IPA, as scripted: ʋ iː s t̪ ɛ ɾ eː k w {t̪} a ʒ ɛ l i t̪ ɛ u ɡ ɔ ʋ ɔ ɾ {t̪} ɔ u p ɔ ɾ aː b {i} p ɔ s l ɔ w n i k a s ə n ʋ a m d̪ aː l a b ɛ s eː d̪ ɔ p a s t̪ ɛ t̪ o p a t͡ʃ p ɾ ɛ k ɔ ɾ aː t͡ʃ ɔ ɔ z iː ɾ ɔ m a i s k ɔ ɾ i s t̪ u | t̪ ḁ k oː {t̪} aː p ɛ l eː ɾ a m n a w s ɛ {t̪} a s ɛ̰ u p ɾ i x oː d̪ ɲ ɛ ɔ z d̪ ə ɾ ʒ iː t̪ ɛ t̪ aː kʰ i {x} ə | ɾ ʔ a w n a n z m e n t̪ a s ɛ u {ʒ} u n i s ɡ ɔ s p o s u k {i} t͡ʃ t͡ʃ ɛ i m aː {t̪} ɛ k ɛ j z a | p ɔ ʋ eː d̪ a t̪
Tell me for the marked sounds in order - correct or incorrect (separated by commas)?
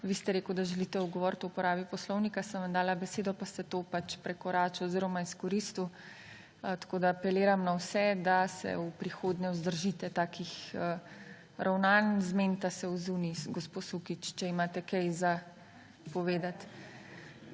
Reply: incorrect, correct, correct, incorrect, incorrect, correct, incorrect, correct, correct